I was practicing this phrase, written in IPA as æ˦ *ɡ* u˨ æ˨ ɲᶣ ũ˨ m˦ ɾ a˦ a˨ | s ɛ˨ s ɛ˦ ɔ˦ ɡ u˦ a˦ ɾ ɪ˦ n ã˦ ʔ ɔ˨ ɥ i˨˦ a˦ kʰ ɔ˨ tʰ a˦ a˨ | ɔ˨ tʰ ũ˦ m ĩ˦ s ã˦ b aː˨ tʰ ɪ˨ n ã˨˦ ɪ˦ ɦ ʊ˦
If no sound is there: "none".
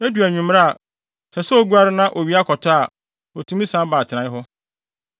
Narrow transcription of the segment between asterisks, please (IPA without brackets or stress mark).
d